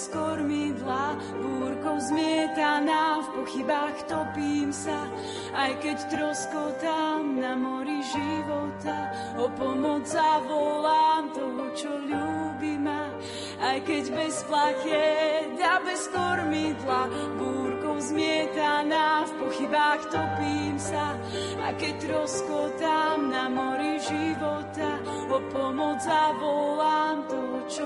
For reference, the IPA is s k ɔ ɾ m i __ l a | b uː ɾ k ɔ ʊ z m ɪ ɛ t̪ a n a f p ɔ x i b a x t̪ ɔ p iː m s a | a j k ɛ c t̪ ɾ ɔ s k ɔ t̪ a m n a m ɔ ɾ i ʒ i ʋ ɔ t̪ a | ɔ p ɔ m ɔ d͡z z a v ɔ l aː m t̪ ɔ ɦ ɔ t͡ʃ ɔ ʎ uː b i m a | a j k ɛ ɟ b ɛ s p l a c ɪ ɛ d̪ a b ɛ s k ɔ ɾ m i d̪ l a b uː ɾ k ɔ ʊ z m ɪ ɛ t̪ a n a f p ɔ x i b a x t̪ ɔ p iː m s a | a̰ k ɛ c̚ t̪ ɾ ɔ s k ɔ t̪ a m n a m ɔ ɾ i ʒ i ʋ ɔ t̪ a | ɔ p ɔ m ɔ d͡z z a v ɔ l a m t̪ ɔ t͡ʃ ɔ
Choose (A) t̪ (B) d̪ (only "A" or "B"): B